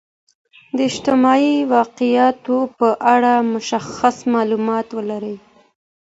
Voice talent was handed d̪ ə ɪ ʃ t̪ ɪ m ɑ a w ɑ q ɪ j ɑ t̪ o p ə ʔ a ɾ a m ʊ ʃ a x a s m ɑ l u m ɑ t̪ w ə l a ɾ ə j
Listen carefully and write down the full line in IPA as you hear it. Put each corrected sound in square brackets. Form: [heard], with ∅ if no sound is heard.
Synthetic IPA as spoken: d̪ ə ɪ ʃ t̪ ɪ m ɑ [i] w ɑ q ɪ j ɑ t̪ o p ə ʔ a [ɽ] a m ʊ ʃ a x a s m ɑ l u m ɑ t̪ w ə l a ɾ ə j